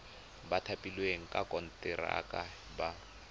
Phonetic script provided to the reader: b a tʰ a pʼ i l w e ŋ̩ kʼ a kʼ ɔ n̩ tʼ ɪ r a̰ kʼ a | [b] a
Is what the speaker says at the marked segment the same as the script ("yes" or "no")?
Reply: yes